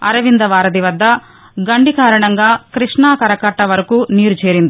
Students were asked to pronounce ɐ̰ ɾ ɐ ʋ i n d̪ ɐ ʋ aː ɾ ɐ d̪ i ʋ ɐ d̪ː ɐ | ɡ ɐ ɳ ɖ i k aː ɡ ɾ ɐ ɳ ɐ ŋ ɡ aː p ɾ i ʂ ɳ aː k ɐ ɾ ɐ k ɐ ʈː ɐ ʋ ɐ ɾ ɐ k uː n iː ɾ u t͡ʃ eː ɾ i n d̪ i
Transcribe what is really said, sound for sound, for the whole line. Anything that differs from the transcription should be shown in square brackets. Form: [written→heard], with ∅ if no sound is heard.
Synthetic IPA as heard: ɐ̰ ɾ ɐ ʋ i n d̪ ɐ ʋ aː ɾ ɐ d̪ i ʋ ɐ d̪ː ɐ | ɡ ɐ ɳ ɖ i k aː [ɡ→∅] ɾ ɐ ɳ ɐ ŋ ɡ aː [p→k] ɾ i ʂ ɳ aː k ɐ ɾ ɐ k ɐ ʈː ɐ ʋ ɐ ɾ ɐ k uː n iː ɾ u t͡ʃ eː ɾ i n d̪ i